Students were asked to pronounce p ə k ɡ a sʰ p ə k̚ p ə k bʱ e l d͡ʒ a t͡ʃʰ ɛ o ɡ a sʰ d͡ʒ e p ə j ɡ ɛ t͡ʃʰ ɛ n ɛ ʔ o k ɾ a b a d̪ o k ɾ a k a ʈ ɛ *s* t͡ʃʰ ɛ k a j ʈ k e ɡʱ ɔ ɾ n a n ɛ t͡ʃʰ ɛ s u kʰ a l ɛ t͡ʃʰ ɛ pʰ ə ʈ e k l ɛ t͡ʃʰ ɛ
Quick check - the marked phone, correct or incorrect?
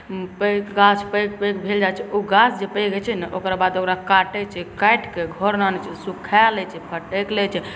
incorrect